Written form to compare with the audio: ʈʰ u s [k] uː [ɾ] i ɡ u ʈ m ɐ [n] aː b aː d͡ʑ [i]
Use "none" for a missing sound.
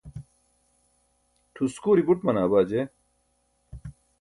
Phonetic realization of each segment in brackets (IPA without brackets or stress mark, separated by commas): k, ɾ, n, e